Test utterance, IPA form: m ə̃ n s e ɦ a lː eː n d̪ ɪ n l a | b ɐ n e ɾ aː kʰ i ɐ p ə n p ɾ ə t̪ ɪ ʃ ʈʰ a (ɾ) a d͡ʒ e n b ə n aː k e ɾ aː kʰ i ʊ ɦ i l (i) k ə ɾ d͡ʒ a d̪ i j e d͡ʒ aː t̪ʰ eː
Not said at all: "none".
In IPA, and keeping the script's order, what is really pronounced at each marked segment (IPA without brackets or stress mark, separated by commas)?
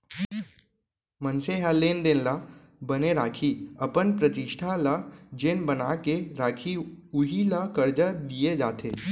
l, a